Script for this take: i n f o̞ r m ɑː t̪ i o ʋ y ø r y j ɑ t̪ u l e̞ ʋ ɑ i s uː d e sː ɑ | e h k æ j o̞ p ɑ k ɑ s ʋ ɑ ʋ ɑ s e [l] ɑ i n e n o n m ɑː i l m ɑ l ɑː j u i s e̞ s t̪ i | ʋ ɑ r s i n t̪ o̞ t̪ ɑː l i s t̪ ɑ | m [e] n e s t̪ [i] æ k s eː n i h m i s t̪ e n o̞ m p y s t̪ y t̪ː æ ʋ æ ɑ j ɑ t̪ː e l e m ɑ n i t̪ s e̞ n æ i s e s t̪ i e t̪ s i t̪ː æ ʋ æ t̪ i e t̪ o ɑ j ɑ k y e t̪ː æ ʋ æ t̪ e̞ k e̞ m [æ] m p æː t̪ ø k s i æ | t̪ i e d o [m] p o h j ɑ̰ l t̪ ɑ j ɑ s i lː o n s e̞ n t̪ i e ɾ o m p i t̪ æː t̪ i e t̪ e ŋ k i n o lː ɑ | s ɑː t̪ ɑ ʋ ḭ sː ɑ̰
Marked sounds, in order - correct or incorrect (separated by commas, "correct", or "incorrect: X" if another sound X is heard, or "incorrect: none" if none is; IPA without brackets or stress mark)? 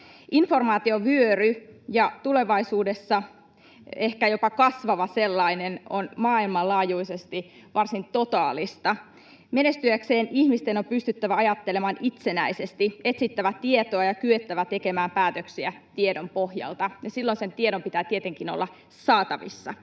incorrect: lː, correct, incorrect: y, incorrect: æː, correct